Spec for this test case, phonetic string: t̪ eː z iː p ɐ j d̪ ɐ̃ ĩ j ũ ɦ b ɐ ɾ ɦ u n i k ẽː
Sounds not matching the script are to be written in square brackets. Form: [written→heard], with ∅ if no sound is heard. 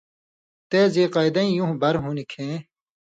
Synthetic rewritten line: t̪ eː z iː [p→q] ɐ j d̪ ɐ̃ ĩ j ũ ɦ b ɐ ɾ ɦ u n i [k→kʰ] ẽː